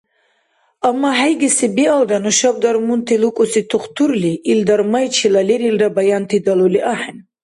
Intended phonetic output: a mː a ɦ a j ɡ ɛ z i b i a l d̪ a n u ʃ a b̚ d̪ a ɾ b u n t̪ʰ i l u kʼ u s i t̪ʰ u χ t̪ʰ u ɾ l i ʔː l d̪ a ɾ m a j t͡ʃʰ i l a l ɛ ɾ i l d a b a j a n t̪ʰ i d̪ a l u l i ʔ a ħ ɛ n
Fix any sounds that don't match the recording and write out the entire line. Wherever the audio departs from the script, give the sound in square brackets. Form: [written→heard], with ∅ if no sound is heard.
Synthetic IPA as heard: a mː a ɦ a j ɡ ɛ [z→s] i b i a l d̪ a n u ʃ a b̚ d̪ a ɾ [b→m] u n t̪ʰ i l u kʼ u s i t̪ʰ u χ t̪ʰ u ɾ l i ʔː l d̪ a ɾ m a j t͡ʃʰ i l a l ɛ ɾ i l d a b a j a n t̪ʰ i d̪ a l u l i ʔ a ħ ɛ n